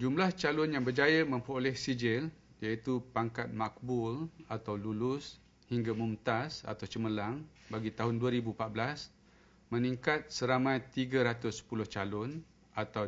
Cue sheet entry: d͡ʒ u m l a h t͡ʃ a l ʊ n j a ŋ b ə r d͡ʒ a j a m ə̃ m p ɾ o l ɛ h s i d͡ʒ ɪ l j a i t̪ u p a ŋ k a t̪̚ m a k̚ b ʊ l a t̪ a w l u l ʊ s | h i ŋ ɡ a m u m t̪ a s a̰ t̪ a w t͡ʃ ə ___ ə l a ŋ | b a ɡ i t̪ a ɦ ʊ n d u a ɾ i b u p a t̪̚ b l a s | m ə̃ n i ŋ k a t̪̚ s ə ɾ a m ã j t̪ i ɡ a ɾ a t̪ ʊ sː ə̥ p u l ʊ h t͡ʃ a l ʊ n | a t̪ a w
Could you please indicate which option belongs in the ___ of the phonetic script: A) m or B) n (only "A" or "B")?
A